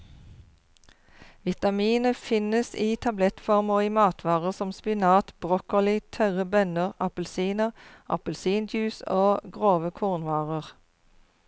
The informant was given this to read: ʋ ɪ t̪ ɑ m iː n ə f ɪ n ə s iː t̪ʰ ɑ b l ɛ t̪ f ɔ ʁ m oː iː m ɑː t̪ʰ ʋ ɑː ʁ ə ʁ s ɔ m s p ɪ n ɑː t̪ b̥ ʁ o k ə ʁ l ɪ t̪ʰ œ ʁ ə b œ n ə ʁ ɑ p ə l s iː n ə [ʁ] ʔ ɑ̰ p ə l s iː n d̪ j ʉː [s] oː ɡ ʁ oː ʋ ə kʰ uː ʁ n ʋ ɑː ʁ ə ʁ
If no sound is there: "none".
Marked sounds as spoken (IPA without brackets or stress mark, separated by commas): ʁ, s